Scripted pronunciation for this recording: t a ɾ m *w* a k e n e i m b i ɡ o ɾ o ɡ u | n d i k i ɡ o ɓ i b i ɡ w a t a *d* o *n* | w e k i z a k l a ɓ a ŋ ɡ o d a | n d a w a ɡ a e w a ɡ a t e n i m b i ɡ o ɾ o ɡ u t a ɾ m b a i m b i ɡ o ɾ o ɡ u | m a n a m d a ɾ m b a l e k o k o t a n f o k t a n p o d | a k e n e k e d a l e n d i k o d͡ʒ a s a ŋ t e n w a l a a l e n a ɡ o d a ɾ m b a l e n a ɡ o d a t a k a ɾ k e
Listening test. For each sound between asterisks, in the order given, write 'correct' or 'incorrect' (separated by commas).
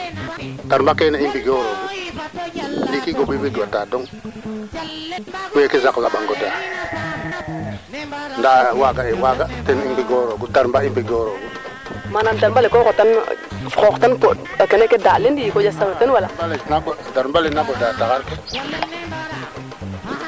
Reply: incorrect, correct, incorrect